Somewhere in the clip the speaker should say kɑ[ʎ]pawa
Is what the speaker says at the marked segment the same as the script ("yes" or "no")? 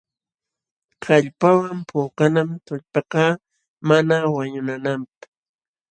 yes